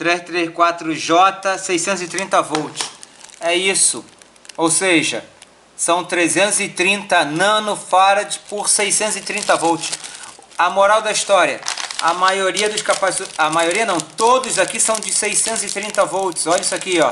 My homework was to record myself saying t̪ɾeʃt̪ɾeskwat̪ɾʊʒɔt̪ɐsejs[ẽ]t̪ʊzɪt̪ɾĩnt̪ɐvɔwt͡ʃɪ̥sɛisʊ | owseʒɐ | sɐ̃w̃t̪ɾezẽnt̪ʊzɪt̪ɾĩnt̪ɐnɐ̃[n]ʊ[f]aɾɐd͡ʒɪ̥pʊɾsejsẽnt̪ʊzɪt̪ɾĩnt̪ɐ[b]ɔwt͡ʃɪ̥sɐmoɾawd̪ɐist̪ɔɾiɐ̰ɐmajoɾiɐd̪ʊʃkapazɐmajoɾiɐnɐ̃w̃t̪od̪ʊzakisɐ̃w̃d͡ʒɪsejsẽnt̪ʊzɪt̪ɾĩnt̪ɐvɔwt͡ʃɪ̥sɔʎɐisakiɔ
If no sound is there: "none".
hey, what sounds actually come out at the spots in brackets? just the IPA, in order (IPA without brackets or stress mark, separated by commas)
ẽ, n, f, v